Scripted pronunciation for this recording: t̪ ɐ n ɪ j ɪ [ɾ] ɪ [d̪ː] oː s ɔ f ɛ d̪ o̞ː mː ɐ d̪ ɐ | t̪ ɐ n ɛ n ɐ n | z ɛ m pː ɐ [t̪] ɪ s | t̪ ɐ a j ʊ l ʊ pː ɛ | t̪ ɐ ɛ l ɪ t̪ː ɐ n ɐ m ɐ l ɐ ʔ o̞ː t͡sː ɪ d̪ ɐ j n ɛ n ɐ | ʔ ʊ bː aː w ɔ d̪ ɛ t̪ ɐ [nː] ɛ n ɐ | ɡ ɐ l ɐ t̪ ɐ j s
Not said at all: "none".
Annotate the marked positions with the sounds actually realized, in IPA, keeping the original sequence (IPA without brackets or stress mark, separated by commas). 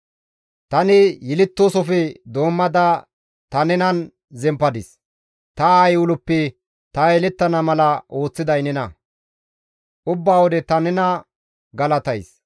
l, t̪ː, d̪, n